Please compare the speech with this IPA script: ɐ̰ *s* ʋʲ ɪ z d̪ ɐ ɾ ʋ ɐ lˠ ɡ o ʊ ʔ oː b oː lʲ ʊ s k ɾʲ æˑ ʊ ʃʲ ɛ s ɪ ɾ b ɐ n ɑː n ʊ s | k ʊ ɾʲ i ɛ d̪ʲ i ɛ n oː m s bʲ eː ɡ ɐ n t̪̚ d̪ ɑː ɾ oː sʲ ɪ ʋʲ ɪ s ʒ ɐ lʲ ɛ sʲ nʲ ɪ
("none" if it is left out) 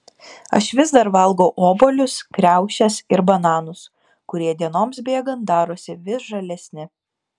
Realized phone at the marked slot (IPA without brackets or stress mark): ʃ